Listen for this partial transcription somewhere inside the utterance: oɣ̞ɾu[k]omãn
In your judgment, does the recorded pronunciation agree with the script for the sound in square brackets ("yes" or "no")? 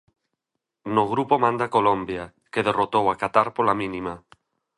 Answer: no